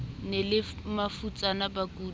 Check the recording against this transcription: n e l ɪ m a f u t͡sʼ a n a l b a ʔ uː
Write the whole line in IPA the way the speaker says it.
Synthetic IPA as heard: n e l ɪ m a f u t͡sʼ a n a b a k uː